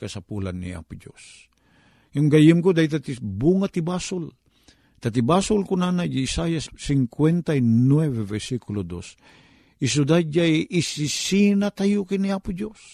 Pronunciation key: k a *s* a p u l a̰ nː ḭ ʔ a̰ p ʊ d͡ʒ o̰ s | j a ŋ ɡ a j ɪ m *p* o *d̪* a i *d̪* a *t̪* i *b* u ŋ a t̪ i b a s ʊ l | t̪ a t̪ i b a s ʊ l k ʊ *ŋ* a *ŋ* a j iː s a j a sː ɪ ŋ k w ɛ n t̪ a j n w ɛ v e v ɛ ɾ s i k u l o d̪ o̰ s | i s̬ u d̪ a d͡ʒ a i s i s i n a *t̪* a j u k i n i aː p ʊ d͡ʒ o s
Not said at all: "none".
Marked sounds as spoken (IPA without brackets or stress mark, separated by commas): s, k, d̪, t̪, t̪, b, n, n, t̪